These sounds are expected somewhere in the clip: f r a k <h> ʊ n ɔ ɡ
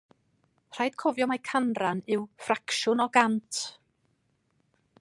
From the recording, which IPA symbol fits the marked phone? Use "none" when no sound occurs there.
ʃ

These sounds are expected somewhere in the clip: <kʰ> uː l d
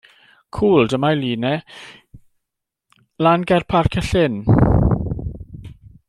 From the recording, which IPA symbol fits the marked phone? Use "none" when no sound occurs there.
kʰ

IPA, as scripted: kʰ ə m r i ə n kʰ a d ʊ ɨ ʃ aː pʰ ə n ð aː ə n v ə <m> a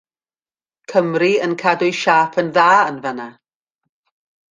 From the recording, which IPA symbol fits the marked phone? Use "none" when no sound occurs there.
n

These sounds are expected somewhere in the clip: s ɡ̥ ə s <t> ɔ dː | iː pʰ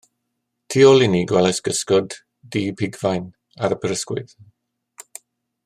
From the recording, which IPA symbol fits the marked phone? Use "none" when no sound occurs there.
k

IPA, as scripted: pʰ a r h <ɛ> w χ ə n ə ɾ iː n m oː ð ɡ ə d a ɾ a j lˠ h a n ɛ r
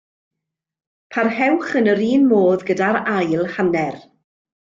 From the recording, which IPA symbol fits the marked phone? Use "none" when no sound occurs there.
ɛ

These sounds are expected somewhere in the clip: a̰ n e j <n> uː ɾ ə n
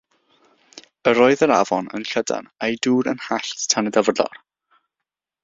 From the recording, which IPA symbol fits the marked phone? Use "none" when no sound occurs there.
d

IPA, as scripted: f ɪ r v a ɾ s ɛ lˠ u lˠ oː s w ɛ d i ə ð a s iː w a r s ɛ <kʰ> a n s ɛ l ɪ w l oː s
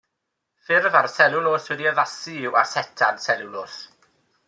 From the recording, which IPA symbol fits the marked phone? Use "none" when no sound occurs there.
tʰ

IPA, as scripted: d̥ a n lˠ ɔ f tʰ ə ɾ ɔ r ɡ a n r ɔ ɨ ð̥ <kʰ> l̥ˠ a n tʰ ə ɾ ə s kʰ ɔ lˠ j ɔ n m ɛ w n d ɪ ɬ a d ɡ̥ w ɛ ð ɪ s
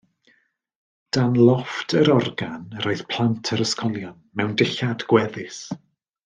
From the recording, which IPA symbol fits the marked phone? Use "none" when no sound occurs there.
pʰ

